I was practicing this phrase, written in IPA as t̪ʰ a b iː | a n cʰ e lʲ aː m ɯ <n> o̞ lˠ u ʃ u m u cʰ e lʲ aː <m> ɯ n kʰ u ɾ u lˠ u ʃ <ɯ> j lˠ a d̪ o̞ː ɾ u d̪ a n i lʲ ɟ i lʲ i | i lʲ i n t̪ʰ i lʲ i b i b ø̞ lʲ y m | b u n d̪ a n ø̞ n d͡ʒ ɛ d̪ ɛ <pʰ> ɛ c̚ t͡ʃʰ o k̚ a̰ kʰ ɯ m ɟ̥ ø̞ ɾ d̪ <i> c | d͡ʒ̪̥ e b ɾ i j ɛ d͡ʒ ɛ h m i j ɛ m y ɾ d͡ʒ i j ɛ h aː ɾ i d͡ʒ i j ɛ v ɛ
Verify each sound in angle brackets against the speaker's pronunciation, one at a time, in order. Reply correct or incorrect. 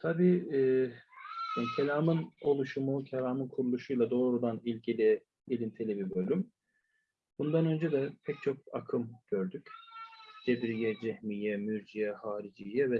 correct, correct, incorrect, correct, incorrect

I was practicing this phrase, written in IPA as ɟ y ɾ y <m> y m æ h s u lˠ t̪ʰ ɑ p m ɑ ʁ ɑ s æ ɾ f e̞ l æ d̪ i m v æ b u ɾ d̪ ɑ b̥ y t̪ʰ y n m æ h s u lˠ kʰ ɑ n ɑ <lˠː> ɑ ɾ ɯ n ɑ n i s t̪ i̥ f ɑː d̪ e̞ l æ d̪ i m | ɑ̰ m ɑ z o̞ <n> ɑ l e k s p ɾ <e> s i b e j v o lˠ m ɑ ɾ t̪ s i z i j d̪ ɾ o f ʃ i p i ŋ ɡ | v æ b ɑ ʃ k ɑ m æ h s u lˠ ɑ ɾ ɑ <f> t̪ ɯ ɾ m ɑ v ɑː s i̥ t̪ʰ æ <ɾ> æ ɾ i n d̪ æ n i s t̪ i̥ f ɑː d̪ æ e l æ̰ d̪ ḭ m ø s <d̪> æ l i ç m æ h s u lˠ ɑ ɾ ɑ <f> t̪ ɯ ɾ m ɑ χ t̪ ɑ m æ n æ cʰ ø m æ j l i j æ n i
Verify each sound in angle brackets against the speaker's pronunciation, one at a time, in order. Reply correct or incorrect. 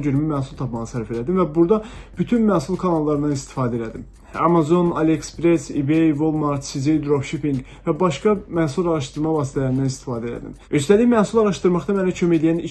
correct, correct, correct, correct, incorrect, incorrect, incorrect, incorrect

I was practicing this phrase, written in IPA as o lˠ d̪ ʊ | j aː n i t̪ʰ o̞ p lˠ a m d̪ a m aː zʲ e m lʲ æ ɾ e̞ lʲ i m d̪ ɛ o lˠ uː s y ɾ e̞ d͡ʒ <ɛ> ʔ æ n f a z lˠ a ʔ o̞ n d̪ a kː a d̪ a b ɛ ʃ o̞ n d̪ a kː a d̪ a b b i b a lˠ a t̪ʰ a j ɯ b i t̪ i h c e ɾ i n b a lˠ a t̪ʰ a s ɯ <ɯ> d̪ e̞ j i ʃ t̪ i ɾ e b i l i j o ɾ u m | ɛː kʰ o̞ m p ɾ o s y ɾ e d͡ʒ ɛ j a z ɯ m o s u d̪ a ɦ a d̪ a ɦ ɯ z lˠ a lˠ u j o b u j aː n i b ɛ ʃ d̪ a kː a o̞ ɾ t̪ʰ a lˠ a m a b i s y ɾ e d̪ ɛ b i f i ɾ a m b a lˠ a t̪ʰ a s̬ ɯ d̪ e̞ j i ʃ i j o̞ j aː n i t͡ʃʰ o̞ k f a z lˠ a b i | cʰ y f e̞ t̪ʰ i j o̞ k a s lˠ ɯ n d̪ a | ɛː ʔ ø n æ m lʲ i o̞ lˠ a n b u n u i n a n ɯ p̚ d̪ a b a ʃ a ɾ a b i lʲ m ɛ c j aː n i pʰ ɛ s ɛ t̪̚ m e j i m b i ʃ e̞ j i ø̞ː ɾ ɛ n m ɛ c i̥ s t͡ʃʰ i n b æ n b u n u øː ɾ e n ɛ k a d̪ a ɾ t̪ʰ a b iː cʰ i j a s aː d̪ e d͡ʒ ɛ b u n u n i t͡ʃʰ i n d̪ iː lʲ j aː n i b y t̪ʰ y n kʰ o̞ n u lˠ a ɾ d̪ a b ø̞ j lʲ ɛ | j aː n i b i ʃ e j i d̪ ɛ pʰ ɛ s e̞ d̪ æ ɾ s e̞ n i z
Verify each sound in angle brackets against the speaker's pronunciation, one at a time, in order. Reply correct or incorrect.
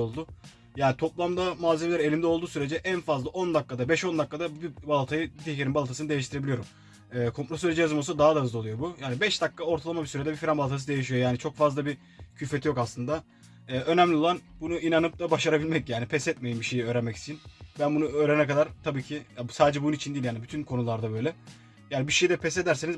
correct, correct

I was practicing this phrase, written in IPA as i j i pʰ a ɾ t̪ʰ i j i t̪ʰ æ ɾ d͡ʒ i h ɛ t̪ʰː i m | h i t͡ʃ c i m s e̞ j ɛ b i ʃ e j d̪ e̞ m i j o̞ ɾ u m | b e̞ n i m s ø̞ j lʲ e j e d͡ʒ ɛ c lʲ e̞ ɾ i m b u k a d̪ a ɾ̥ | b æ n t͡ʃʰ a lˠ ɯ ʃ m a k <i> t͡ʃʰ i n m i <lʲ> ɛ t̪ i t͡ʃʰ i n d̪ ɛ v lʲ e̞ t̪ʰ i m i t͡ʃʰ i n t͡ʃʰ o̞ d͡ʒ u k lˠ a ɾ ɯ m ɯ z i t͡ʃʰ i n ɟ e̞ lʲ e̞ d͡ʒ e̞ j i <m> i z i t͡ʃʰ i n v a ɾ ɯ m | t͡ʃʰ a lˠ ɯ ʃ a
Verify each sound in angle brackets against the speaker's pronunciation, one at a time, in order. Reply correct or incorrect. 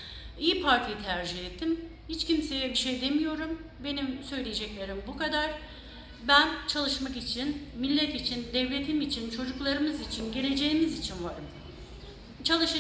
correct, incorrect, correct

